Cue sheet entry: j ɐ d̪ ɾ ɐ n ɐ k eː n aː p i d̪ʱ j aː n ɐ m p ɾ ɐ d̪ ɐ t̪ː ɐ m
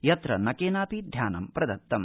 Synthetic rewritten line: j ɐ t̪ ɾ ɐ n ɐ k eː n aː p i d̪ʱ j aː n ɐ m p ɾ ɐ d̪ ɐ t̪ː ɐ m